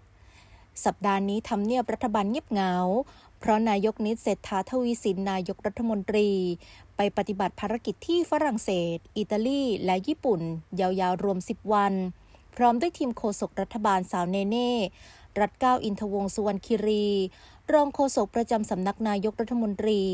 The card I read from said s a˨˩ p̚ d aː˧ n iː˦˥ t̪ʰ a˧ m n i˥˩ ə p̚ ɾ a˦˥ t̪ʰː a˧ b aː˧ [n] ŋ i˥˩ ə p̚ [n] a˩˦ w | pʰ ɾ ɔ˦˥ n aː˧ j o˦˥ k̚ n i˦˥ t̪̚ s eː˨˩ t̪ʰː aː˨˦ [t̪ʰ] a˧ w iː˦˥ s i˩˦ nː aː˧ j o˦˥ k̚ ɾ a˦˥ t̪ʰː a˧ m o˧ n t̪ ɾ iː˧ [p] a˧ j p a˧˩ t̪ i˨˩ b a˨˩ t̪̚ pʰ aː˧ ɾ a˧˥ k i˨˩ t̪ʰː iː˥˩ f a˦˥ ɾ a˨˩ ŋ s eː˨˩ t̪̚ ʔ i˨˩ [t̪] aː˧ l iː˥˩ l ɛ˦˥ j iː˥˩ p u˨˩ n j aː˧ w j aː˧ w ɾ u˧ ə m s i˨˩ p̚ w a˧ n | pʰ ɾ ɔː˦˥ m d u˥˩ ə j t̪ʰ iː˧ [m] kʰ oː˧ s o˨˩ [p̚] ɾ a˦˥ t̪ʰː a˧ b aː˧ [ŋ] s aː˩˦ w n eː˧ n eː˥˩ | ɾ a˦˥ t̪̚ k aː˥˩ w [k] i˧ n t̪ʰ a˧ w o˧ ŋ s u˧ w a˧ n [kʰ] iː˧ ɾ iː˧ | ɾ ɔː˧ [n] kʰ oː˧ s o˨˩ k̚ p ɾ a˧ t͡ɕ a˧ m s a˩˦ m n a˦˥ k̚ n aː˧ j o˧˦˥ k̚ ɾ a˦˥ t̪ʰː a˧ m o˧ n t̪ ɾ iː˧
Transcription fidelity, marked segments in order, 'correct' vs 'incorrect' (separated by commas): correct, incorrect, correct, correct, correct, correct, incorrect, incorrect, incorrect, correct, incorrect